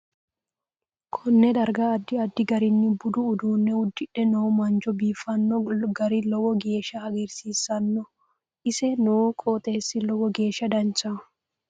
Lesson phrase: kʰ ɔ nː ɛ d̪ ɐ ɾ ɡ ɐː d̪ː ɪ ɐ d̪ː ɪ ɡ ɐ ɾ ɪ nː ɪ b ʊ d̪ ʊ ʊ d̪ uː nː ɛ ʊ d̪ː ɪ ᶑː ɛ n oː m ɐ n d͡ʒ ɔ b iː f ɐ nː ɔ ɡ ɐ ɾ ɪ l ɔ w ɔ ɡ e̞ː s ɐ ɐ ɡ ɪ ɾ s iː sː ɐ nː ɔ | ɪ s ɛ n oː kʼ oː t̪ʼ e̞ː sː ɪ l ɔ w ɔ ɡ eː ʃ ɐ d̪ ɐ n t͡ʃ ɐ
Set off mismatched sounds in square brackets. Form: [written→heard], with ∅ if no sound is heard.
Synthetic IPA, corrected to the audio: kʰ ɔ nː ɛ d̪ ɐ ɾ ɡ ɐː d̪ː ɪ ɐ d̪ː ɪ ɡ ɐ ɾ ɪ nː ɪ b ʊ d̪ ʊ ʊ d̪ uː nː ɛ ʊ d̪ː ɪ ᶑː ɛ n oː m ɐ n d͡ʒ ɔ b iː f ɐ nː ɔ ɡ ɐ ɾ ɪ l ɔ w ɔ ɡ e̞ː [s→ʃ] ɐ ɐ ɡ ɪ ɾ s iː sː ɐ nː ɔ | ɪ s ɛ n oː kʼ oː t̪ʼ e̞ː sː ɪ l ɔ w ɔ ɡ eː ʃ ɐ d̪ ɐ n t͡ʃ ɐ